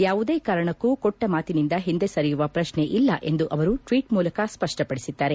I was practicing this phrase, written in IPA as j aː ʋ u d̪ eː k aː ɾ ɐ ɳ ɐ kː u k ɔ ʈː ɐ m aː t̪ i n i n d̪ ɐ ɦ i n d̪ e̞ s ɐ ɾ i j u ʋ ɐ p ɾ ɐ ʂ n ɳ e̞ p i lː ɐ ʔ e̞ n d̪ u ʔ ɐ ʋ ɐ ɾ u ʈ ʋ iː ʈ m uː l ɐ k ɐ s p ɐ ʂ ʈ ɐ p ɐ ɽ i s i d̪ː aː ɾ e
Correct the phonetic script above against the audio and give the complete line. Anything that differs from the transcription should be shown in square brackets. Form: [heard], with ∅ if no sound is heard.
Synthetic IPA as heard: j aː ʋ u d̪ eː k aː ɾ ɐ ɳ ɐ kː u k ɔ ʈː ɐ m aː t̪ i n i n d̪ ɐ ɦ i n d̪ e̞ s ɐ ɾ i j u ʋ ɐ p ɾ ɐ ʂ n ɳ e̞ [ʔ] i lː ɐ ʔ e̞ n d̪ u ʔ ɐ ʋ ɐ ɾ u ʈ ʋ iː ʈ m uː l ɐ k ɐ s p ɐ ʂ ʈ ɐ p ɐ ɽ i s i d̪ː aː ɾ e